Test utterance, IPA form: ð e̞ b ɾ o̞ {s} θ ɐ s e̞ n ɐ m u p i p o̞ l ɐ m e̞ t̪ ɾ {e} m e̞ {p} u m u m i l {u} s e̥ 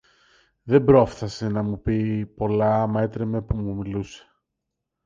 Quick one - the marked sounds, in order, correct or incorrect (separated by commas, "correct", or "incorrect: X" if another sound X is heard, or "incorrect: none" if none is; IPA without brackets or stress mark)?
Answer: incorrect: f, correct, correct, correct